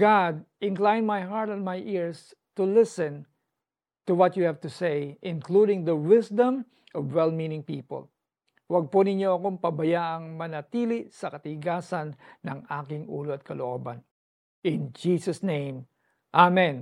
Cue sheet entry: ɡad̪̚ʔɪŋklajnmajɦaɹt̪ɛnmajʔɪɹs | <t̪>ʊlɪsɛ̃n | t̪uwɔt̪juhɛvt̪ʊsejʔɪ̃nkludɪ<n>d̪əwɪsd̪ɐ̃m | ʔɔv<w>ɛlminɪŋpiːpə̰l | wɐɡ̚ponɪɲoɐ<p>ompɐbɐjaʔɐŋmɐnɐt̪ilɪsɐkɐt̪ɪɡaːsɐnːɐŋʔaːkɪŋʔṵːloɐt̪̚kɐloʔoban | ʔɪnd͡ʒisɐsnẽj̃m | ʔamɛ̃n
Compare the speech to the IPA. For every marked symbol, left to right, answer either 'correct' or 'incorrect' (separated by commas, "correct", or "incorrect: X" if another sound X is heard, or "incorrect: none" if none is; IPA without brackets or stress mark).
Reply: correct, incorrect: ŋ, correct, incorrect: k